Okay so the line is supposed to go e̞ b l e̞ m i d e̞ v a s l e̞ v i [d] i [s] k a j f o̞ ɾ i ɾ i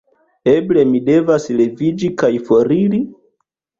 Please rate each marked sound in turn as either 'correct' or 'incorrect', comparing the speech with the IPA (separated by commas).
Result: incorrect, incorrect